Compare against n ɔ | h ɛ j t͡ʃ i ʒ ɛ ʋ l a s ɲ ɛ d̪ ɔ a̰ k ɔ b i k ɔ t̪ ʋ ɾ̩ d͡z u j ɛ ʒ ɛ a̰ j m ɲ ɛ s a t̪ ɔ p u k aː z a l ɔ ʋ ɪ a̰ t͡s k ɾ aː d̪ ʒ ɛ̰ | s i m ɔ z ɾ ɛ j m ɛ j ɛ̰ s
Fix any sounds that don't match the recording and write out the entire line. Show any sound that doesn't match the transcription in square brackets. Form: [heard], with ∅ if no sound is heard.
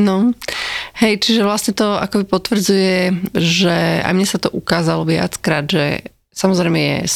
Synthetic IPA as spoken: n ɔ | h ɛ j t͡ʃ i ʒ ɛ ʋ l a s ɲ ɛ [t̪] ɔ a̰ k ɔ b i [p] ɔ t̪ ʋ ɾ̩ d͡z u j ɛ ʒ ɛ a̰ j m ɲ ɛ s a t̪ ɔ [ʔ] u k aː z a l ɔ ʋ ɪ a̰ t͡s k ɾ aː d̪ ʒ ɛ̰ | s [a] m ɔ z ɾ ɛ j m ɛ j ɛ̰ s